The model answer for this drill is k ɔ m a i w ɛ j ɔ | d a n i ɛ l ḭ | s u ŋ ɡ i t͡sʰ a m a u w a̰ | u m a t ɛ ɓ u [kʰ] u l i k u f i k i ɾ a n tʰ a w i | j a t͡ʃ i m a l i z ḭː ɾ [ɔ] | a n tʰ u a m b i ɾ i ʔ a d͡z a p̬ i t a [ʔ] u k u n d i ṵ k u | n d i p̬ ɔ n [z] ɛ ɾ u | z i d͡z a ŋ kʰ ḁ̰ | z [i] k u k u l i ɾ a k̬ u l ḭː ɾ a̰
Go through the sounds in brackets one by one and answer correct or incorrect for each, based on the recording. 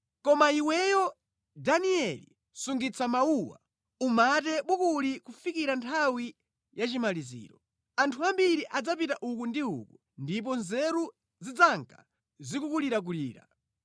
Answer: incorrect: k, correct, correct, correct, correct

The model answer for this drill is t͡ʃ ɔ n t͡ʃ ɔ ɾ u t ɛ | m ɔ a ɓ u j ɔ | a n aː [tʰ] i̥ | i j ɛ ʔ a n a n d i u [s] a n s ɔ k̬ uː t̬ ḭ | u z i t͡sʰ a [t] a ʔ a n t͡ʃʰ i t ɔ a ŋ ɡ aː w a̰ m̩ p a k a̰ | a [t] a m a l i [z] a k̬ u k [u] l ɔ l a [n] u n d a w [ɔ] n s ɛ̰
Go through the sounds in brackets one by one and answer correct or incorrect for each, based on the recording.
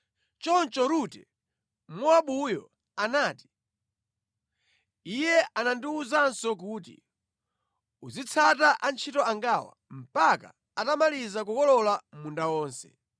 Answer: incorrect: t, incorrect: z, correct, correct, correct, incorrect: ɔ, incorrect: m, incorrect: ɔː

